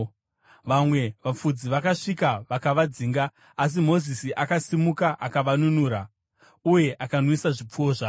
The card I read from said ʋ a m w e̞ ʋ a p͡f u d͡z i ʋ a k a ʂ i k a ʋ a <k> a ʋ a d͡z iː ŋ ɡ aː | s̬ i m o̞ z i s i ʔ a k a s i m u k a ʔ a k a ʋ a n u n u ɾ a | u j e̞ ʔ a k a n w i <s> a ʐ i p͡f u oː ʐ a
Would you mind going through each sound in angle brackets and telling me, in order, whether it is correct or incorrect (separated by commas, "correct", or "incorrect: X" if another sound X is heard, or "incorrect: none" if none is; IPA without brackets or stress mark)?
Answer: correct, correct